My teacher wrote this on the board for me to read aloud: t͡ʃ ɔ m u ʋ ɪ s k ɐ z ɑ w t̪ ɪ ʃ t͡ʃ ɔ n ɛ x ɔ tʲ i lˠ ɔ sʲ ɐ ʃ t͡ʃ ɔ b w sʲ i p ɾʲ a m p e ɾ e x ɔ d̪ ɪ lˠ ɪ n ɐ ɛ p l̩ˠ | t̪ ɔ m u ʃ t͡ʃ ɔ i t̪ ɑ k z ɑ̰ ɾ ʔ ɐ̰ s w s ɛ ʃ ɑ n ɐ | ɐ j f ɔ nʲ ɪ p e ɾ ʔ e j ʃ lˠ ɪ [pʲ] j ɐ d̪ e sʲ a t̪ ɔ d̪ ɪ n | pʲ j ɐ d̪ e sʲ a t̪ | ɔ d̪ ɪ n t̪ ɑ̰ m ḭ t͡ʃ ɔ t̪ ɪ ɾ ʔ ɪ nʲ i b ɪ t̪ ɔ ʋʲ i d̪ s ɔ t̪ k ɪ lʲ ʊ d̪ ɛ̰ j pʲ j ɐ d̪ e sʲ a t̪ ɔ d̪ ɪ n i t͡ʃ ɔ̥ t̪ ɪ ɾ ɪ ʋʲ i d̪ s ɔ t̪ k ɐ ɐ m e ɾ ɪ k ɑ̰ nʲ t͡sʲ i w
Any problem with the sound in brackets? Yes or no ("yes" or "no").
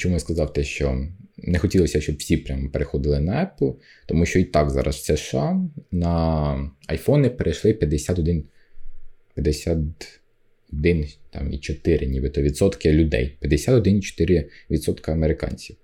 no